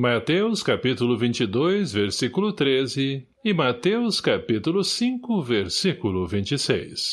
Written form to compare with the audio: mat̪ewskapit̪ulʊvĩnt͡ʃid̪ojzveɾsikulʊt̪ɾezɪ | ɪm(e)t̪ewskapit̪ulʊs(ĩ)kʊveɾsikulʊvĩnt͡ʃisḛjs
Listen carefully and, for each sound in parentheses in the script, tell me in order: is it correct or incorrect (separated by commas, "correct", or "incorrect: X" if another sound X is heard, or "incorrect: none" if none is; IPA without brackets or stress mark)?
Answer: incorrect: a, correct